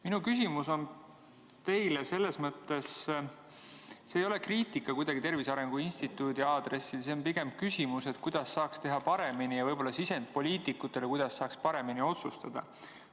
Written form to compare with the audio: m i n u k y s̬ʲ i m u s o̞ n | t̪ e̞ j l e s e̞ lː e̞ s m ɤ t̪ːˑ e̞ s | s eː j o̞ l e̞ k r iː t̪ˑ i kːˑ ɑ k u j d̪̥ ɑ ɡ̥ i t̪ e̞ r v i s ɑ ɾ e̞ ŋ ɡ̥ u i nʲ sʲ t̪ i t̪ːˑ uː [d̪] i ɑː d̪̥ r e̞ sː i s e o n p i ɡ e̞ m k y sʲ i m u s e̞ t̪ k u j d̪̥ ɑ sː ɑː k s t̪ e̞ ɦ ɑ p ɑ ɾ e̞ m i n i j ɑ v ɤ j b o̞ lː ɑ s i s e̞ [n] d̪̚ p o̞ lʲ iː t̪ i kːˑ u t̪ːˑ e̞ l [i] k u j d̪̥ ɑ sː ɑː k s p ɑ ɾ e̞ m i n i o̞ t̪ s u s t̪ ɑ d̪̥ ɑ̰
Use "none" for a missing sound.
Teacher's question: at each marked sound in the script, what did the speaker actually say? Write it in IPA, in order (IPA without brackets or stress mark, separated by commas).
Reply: d̪, n, e